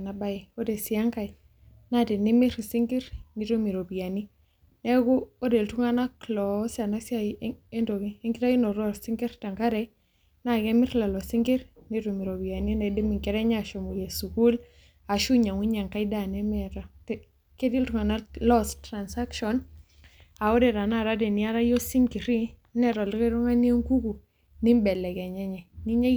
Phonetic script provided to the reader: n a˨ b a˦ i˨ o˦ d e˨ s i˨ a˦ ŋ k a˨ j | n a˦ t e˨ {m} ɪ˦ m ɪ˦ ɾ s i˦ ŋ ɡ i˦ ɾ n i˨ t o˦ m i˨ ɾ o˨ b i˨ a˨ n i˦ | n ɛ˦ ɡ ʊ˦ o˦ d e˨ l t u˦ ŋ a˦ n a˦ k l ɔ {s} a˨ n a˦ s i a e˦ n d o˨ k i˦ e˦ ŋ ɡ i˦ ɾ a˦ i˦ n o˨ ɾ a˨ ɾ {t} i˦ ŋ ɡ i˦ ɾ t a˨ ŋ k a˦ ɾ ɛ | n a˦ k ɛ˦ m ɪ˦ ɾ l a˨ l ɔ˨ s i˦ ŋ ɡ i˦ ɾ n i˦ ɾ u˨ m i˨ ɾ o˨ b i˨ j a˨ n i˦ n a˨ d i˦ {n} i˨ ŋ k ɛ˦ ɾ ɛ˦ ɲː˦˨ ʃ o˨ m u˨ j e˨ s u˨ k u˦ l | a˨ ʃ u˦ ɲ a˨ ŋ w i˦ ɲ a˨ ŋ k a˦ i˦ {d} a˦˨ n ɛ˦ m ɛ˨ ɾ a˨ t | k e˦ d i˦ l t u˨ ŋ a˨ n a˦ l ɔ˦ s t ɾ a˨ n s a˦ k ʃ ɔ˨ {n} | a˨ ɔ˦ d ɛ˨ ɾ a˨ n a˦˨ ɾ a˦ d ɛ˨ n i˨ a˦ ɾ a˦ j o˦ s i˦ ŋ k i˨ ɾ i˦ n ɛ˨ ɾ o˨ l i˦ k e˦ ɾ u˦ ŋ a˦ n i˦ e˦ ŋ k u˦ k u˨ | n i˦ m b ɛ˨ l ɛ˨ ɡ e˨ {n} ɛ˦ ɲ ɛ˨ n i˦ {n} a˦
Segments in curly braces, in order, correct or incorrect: incorrect: n, correct, incorrect: s, incorrect: m, correct, correct, incorrect: ɲ, incorrect: ɲ

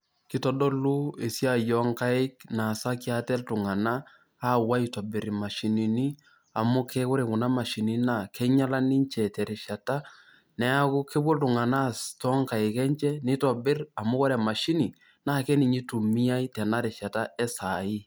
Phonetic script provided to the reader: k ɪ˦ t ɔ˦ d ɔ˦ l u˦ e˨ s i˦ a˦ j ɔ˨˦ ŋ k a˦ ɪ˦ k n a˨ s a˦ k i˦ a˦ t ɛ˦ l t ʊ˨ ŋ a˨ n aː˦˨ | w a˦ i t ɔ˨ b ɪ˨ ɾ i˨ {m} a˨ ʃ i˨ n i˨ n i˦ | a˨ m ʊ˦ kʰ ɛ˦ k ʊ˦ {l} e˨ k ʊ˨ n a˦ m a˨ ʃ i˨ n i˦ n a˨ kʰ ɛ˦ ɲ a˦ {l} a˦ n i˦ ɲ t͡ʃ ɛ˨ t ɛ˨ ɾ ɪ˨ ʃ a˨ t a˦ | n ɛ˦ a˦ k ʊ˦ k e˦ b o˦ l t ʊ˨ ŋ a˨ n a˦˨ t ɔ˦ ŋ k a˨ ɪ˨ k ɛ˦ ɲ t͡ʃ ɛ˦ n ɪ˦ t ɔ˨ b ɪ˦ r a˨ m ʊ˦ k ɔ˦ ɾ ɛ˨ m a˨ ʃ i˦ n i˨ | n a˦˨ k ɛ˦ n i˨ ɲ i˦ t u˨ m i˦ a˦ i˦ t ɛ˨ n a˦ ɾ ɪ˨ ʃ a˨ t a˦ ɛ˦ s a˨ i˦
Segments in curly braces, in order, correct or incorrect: correct, incorrect: ɾ, correct

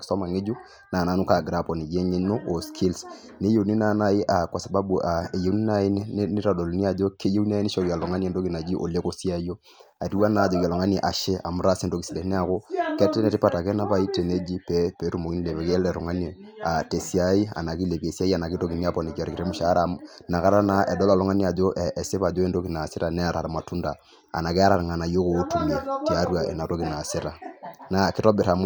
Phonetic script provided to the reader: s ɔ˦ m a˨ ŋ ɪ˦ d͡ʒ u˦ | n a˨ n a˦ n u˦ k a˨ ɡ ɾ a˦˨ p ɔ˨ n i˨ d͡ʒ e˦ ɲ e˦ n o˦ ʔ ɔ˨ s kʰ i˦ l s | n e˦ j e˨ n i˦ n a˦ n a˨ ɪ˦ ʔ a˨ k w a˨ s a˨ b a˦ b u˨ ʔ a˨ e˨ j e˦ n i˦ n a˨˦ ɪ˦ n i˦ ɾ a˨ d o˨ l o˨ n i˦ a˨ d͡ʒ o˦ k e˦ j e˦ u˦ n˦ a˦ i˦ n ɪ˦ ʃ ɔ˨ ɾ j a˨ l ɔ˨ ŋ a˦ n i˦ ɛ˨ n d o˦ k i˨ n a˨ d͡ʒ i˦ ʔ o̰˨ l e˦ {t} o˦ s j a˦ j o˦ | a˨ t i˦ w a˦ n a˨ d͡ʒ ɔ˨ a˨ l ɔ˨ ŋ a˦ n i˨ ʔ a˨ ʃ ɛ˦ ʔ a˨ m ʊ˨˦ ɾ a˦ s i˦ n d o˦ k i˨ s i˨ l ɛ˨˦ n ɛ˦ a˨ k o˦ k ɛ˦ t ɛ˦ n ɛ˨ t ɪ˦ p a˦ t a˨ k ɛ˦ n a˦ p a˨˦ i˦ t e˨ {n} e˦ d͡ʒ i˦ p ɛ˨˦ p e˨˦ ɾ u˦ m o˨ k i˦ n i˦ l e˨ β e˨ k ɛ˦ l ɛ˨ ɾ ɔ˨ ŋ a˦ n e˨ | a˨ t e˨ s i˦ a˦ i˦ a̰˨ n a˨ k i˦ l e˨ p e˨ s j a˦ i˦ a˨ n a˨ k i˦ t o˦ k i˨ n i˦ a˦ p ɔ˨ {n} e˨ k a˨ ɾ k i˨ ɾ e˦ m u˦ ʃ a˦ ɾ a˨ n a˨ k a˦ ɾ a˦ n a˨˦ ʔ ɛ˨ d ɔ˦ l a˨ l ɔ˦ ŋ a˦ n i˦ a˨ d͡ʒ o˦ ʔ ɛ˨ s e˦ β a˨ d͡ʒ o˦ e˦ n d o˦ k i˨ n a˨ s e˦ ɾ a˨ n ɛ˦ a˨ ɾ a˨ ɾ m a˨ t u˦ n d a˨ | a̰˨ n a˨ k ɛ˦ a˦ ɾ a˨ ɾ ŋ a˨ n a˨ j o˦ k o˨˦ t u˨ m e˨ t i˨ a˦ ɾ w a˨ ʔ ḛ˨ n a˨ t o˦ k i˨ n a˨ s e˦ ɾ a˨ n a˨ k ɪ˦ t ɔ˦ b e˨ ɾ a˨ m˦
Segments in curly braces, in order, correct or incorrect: incorrect: k, correct, correct

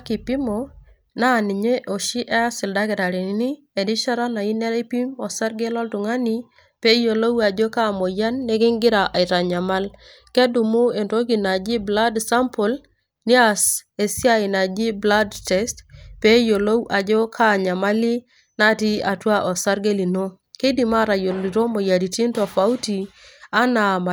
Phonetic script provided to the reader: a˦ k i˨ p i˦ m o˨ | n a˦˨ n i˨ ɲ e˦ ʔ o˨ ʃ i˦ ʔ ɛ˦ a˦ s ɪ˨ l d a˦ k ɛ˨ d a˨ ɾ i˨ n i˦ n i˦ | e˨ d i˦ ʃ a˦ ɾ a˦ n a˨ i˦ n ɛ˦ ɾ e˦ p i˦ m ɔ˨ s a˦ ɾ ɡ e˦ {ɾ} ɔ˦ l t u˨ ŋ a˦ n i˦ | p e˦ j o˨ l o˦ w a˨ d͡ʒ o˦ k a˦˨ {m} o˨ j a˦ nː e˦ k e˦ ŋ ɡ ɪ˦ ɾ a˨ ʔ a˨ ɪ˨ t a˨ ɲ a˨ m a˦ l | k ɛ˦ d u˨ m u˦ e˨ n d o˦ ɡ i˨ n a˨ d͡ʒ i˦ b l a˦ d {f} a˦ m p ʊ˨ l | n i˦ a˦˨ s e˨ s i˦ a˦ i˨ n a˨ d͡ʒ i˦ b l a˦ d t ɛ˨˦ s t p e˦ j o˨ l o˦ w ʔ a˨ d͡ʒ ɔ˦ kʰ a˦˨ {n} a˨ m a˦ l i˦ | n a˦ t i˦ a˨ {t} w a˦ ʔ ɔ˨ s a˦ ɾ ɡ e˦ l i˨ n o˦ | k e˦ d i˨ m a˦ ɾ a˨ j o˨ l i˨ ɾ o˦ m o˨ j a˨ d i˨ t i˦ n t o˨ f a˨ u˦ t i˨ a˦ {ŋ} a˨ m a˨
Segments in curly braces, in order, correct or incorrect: incorrect: l, correct, incorrect: s, incorrect: ɲ, correct, incorrect: n

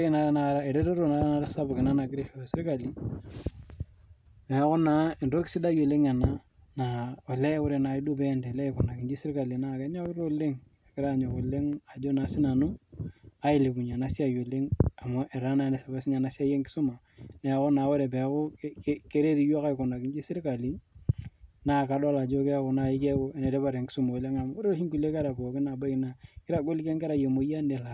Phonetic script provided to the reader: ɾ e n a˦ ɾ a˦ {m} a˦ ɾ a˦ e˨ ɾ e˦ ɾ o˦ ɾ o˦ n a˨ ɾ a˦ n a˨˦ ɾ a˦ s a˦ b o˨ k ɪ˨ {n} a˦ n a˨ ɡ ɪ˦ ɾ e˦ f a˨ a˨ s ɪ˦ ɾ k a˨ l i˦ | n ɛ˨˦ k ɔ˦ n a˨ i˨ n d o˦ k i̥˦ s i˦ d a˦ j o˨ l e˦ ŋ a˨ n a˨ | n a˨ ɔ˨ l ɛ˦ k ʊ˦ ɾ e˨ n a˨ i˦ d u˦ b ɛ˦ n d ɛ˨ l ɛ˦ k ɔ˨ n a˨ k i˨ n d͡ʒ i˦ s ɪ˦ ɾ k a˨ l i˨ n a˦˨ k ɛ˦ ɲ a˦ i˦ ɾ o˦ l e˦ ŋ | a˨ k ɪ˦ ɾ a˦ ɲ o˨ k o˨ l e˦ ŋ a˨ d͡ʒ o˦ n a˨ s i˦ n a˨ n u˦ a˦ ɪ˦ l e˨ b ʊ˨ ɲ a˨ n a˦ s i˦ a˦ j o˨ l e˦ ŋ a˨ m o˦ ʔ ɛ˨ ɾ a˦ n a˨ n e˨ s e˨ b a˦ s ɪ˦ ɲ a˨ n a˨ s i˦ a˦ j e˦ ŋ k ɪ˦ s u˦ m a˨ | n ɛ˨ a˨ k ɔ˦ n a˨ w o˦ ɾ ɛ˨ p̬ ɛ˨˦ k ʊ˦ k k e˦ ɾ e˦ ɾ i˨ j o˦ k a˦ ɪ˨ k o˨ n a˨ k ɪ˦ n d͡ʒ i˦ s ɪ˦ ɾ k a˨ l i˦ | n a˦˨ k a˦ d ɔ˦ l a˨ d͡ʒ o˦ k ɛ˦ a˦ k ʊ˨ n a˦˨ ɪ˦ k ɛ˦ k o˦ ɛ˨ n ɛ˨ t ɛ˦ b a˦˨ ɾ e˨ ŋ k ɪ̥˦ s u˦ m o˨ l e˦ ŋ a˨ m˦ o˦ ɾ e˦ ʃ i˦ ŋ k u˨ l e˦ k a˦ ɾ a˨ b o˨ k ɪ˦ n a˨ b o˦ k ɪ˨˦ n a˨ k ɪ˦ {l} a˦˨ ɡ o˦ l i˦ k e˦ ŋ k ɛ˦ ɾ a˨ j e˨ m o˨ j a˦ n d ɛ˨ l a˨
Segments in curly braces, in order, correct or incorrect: incorrect: n, correct, incorrect: ɾ

